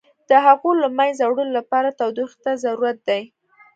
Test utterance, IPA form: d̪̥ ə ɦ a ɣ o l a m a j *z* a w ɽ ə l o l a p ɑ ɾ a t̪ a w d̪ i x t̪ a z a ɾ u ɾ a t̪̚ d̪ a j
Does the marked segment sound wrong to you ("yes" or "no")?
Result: no